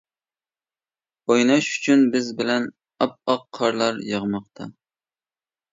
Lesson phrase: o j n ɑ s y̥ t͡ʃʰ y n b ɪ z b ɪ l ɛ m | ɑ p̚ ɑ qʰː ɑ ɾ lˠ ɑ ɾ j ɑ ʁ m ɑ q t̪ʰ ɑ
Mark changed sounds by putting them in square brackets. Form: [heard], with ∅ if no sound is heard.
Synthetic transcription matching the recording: o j n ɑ [ʃ] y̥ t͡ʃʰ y n b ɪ z b ɪ l ɛ [n] | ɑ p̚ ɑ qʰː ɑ ɾ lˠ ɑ ɾ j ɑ ʁ m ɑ q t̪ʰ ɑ